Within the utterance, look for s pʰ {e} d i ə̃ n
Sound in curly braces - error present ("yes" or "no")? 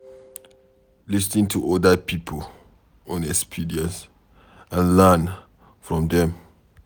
yes